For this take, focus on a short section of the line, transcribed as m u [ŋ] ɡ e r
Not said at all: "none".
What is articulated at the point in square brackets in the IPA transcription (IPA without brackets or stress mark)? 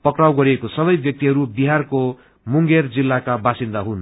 ŋ